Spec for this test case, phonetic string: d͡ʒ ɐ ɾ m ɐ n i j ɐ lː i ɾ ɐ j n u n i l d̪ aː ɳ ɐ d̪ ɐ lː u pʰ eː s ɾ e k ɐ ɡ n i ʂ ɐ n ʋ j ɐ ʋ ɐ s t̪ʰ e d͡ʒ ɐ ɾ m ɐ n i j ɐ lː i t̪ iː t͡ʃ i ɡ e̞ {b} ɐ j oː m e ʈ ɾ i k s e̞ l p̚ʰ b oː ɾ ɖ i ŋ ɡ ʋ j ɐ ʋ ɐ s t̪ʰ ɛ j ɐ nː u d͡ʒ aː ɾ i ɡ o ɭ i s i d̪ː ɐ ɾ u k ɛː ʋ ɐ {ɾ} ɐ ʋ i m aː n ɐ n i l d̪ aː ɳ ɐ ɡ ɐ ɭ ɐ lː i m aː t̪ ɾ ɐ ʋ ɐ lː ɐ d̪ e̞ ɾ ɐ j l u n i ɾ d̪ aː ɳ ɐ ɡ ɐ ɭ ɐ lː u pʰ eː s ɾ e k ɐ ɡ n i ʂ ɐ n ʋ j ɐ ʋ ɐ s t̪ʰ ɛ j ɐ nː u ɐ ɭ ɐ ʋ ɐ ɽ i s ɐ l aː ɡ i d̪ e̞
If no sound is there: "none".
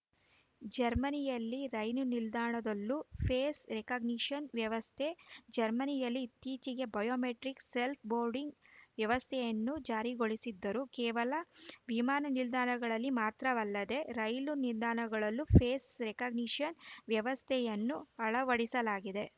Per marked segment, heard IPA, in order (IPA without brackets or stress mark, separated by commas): b, l